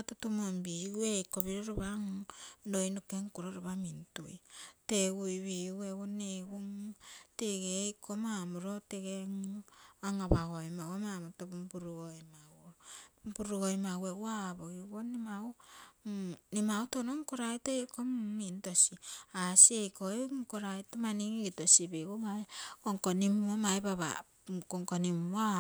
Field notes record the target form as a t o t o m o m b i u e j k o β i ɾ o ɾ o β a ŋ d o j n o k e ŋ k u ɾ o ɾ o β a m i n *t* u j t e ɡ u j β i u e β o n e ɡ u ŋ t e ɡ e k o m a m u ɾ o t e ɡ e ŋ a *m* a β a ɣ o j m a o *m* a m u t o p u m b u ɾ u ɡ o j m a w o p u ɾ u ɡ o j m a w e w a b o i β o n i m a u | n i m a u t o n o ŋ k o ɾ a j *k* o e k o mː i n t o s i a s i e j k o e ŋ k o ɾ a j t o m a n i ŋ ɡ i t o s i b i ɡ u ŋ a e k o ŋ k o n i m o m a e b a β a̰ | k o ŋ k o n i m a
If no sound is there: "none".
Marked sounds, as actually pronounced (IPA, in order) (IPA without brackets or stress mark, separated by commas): t, ŋ, m, t